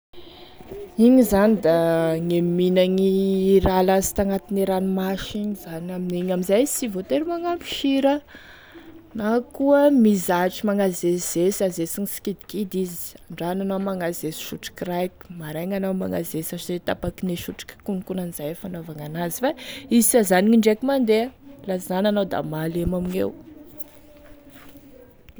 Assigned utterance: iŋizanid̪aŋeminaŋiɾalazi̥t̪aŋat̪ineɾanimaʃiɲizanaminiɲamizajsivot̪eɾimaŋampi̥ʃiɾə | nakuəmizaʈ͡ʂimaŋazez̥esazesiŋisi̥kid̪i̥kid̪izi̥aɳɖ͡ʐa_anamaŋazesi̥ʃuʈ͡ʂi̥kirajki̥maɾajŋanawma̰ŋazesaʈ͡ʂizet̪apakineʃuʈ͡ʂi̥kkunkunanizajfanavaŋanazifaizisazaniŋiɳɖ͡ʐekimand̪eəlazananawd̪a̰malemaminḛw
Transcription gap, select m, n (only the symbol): n